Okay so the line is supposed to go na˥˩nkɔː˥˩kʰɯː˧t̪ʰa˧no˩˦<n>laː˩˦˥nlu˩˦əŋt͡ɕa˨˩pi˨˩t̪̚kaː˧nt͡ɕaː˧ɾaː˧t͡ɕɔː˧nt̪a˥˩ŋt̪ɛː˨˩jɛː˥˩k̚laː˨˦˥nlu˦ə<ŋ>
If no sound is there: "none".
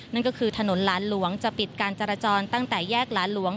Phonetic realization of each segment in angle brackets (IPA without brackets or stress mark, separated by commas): n, ŋ